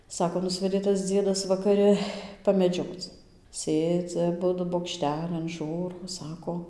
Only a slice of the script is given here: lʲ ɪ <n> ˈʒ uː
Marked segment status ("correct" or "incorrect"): correct